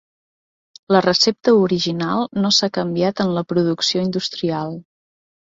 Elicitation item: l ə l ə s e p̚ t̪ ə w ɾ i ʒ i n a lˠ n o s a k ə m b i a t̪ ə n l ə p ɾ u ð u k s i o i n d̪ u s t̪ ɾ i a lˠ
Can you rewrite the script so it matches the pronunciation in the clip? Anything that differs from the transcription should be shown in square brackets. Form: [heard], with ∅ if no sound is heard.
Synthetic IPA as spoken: l ə [r] ə s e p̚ t̪ ə [u] ɾ i ʒ i n a lˠ n o s a k ə m b i a t̪ ə n l ə p ɾ u ð u k s i o i n d̪ u s t̪ ɾ i a lˠ